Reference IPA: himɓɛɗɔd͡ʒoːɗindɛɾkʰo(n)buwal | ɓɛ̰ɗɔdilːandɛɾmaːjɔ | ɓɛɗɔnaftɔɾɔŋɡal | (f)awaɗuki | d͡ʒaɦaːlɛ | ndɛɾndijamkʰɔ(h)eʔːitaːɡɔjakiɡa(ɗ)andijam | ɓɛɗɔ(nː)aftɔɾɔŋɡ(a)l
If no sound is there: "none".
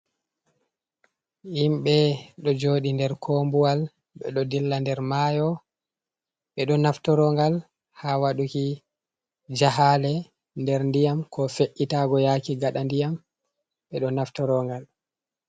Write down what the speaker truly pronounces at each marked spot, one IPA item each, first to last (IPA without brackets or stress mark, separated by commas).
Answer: m, h, f, ɗ, n, a